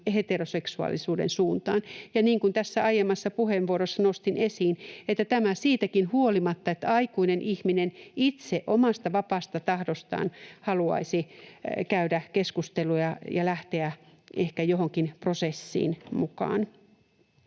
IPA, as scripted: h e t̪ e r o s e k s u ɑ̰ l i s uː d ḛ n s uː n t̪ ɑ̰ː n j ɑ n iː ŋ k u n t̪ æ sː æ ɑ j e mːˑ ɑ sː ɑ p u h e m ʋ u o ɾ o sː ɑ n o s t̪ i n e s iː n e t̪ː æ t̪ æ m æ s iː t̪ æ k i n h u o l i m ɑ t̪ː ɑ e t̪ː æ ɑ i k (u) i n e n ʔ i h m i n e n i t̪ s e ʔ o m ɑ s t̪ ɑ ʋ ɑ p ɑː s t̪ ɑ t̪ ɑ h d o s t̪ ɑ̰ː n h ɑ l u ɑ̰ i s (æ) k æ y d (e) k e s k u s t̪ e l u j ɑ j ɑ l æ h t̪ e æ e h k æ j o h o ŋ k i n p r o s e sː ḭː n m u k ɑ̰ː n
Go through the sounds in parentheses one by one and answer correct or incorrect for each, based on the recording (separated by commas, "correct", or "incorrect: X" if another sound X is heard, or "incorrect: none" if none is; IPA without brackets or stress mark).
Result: correct, incorrect: i, incorrect: æ